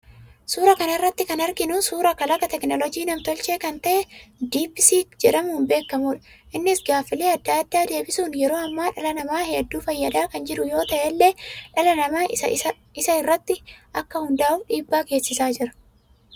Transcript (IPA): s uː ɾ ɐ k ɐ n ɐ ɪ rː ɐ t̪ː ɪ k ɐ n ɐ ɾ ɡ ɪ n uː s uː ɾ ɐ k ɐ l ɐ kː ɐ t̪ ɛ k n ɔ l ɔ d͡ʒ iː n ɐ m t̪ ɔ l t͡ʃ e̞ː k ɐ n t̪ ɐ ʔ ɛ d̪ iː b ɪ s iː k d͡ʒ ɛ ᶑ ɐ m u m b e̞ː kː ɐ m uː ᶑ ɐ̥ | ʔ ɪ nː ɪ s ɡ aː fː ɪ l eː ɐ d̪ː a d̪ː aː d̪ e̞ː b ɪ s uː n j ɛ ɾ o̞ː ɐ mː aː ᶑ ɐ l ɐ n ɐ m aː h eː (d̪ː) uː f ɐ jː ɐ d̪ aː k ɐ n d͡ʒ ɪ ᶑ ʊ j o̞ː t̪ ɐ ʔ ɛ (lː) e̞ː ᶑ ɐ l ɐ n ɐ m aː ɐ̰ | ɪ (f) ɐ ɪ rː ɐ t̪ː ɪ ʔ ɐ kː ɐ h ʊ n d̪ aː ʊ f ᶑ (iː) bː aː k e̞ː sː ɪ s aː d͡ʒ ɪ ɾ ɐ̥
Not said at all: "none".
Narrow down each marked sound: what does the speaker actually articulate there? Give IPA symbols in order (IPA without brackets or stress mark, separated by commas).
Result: d̪ː, lː, s, iː